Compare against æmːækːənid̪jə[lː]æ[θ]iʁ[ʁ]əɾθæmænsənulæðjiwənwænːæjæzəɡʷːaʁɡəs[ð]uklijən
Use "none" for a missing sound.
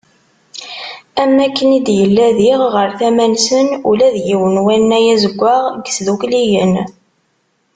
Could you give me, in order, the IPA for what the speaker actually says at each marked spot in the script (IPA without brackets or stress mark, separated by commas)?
lː, ð, ʁ, ð